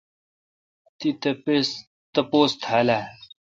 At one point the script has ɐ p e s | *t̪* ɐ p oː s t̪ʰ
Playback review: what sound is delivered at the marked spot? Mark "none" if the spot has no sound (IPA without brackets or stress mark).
t̪